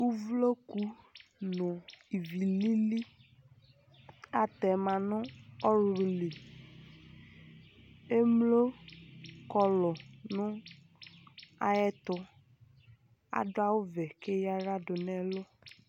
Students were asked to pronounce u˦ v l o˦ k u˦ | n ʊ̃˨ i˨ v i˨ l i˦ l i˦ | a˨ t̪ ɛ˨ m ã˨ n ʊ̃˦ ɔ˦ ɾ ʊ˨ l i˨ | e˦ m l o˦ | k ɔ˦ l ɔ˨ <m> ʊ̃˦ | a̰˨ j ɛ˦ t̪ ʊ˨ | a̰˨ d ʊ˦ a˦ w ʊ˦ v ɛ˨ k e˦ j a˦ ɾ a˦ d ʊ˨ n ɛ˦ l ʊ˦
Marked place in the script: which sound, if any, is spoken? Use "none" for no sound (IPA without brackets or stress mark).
n